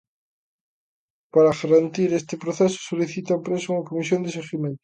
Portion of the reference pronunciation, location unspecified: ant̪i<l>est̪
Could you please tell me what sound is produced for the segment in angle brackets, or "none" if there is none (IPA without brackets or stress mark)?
ɾ